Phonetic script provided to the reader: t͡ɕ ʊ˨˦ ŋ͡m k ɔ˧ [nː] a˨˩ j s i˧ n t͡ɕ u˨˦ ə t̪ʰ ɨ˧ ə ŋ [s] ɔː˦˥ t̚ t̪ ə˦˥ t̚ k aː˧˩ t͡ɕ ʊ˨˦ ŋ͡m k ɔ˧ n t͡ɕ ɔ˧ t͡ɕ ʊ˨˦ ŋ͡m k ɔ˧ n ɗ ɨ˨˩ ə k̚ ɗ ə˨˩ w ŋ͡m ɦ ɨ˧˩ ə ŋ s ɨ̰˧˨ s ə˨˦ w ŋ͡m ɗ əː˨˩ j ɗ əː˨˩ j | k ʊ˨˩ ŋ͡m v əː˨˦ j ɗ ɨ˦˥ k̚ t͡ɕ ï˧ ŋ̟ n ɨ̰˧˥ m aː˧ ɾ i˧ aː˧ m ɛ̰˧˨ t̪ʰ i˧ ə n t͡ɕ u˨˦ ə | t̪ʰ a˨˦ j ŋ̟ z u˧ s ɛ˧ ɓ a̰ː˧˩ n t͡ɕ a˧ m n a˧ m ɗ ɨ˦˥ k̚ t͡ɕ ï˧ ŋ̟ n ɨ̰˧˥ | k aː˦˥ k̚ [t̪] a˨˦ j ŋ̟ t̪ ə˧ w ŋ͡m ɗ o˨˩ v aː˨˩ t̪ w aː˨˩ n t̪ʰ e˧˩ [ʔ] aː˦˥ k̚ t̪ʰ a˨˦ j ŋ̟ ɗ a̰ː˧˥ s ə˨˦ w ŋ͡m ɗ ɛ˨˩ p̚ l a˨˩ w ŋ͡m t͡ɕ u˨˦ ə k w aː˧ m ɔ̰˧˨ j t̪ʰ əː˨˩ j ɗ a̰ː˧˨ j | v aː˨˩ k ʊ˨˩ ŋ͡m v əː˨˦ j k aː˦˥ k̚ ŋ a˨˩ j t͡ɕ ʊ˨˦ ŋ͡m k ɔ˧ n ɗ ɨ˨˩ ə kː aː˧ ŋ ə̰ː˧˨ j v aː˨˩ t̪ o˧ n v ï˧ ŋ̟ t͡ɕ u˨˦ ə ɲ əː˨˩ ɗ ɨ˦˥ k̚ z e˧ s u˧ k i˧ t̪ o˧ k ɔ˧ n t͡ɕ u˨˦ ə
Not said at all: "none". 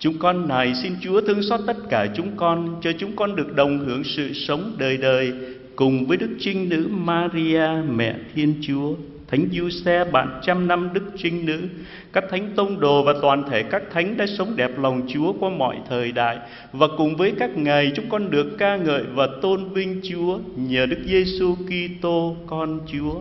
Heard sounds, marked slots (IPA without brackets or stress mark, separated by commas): nː, s, t̪ʰ, k